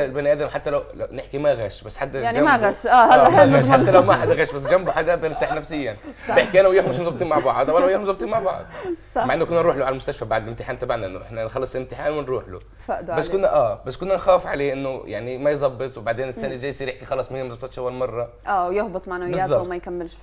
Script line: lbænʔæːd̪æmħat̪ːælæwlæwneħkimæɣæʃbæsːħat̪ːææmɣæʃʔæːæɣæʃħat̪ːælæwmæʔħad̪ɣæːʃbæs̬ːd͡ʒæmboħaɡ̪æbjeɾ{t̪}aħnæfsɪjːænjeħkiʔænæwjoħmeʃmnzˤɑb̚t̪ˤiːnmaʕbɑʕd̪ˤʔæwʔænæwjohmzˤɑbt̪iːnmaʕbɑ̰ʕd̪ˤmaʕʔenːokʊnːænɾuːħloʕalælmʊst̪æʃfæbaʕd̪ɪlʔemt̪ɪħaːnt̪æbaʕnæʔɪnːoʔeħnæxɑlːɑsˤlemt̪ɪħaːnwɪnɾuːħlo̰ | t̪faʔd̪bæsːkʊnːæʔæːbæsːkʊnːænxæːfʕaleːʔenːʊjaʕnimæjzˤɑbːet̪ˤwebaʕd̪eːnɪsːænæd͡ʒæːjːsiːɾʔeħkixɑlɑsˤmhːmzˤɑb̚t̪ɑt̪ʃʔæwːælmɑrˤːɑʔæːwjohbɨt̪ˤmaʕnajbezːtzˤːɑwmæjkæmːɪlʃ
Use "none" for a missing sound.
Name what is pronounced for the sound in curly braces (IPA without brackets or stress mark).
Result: t̪